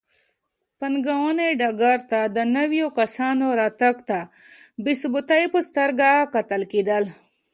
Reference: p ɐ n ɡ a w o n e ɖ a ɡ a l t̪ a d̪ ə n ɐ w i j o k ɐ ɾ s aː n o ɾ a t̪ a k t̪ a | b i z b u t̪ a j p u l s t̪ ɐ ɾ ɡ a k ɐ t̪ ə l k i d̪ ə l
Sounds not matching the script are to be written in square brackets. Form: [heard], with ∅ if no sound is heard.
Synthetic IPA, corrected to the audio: p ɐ n ɡ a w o n e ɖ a ɡ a [ɾ] t̪ a d̪ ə n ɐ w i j o k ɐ [∅] s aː n o ɾ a t̪ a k t̪ a | b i [s] b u t̪ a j p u [∅] s t̪ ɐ ɾ ɡ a k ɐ t̪ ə l k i d̪ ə l